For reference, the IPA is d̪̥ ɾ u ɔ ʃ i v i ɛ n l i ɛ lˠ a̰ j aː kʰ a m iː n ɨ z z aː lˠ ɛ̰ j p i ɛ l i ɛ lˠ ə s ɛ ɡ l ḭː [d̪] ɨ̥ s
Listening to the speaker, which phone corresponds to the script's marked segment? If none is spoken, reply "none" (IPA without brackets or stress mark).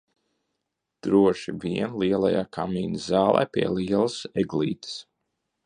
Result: t̪